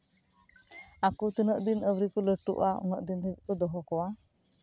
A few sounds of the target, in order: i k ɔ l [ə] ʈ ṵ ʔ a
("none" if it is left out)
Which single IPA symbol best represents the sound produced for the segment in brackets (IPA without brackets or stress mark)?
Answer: ə